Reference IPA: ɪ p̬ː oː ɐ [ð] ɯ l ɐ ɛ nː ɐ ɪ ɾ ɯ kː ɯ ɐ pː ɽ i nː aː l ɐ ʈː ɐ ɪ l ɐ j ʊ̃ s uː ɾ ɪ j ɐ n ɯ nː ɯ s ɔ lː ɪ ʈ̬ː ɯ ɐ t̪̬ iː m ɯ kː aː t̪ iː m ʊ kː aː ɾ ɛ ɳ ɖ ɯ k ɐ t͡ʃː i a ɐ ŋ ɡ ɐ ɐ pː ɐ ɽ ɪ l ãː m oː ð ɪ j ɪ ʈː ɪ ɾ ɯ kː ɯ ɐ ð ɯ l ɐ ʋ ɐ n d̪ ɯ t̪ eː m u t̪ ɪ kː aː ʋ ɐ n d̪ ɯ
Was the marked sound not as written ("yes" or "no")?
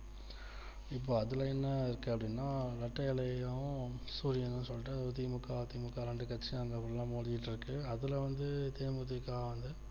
no